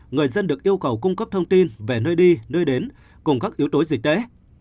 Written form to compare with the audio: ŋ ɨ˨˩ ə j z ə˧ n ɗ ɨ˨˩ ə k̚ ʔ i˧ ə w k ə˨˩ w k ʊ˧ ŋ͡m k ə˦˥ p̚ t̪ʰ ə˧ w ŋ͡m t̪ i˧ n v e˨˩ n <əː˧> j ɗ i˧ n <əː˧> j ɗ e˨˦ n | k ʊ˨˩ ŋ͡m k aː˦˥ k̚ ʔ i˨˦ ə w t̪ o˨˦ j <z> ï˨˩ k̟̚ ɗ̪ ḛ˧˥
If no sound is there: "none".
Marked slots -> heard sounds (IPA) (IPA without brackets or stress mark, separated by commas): əː˧, əː˧, z